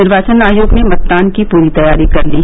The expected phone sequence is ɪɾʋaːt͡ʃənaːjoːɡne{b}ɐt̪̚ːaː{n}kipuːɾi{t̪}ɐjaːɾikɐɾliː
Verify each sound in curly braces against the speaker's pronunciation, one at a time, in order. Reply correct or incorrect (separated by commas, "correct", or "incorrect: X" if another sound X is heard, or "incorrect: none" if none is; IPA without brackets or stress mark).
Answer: incorrect: m, correct, correct